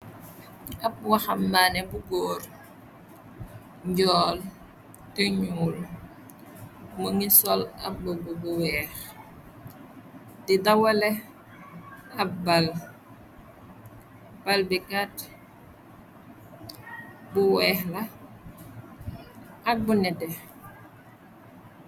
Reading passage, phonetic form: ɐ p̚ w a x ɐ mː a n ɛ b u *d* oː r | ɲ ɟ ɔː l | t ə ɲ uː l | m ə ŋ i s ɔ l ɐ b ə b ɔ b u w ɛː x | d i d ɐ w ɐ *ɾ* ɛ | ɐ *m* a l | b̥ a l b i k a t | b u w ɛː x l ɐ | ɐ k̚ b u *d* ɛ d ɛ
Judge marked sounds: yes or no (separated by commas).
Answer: no, no, no, no